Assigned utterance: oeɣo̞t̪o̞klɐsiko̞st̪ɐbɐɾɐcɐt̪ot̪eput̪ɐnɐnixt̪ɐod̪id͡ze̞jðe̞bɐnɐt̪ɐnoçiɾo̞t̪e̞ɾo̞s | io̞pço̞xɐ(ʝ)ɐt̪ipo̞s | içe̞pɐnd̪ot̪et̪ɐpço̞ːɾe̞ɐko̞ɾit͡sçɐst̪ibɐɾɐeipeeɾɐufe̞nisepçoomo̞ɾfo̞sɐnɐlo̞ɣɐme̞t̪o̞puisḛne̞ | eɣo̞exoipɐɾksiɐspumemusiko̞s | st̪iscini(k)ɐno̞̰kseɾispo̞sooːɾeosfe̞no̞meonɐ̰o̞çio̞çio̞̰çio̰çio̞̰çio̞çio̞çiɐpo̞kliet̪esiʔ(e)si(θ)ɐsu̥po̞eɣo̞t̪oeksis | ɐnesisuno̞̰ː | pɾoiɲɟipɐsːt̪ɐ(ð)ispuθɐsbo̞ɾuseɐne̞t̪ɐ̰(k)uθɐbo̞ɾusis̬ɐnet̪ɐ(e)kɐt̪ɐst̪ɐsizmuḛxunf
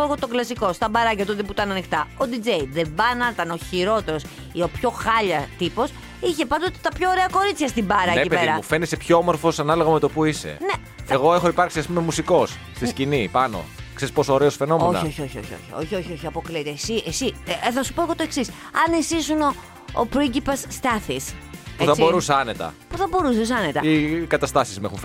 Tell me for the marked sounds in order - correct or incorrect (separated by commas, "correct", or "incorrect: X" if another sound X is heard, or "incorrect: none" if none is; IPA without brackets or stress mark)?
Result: incorrect: ʎ, incorrect: p, correct, correct, incorrect: θ, incorrect: p, incorrect: i